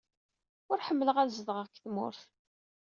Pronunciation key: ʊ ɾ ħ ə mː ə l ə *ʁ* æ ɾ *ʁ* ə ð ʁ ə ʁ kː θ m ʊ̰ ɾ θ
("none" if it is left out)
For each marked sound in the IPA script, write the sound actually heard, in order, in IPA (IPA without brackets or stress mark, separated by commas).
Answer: ʁ, z